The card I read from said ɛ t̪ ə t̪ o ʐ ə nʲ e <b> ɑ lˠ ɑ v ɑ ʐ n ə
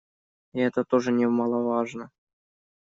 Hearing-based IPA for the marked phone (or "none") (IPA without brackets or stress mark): m